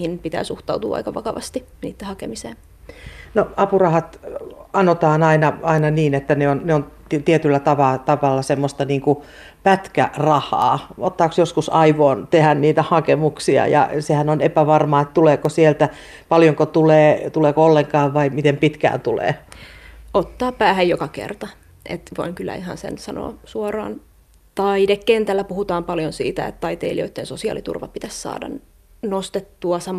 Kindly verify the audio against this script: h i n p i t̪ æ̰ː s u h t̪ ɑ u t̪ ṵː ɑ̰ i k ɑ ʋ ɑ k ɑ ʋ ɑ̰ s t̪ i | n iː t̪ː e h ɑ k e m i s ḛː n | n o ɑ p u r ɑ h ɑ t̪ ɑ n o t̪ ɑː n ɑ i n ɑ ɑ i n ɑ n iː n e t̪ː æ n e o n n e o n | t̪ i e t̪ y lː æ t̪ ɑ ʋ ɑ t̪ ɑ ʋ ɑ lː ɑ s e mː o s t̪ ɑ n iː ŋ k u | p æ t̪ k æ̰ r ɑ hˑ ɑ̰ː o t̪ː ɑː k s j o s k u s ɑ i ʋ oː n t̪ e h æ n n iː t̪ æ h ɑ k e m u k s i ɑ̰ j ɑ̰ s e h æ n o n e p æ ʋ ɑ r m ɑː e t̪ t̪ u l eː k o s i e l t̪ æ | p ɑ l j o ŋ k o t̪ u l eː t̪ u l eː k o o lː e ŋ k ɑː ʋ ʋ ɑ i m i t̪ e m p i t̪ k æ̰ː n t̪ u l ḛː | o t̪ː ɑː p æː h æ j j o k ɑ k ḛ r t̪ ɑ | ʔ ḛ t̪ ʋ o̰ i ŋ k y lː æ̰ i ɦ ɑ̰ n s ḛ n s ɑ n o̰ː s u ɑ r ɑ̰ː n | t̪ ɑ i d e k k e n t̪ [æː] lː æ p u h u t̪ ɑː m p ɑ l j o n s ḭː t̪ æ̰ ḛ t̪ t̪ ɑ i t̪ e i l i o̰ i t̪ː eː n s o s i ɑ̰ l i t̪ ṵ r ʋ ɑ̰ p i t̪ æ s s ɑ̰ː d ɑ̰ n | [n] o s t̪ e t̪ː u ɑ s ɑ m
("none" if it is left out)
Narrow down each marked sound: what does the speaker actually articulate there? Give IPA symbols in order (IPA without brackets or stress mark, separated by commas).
æ, n